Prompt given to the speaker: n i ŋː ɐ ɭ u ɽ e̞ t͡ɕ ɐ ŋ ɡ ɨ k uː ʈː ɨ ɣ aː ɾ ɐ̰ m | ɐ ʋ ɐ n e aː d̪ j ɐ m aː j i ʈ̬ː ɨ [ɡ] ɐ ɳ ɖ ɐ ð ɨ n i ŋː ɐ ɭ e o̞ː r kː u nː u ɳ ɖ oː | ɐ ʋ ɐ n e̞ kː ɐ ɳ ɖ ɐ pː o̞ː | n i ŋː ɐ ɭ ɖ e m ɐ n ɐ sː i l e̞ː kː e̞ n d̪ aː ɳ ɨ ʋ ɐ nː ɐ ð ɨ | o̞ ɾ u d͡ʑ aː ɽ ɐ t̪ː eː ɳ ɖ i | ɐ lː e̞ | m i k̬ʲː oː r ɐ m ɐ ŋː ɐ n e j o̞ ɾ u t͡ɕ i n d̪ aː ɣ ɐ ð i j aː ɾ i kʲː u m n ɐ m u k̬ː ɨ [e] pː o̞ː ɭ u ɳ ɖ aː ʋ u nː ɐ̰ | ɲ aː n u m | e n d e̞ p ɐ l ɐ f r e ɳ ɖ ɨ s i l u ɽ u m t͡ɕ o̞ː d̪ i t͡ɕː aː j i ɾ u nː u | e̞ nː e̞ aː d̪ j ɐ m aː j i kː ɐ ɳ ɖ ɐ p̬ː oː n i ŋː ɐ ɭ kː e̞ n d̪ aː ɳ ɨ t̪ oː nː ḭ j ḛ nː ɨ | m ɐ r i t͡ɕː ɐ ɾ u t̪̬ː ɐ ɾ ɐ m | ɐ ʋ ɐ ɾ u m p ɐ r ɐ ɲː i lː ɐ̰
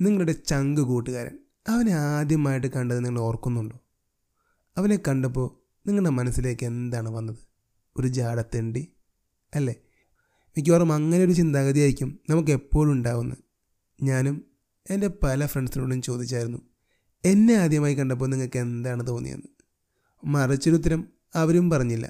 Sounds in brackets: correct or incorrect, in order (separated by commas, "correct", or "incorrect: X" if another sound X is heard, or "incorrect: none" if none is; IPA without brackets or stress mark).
incorrect: k, correct